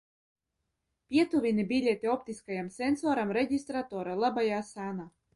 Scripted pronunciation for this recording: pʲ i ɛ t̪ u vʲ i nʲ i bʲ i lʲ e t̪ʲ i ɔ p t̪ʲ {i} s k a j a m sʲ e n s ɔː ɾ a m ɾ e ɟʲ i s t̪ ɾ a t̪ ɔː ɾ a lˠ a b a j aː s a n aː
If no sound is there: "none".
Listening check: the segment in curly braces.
i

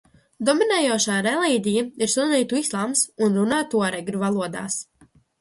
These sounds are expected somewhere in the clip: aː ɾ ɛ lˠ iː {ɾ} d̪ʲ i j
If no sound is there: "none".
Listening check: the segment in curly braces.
none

